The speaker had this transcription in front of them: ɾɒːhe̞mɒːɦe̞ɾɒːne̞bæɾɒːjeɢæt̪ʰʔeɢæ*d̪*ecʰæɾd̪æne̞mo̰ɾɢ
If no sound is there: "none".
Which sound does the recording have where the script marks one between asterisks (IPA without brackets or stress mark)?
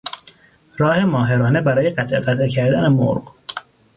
t̪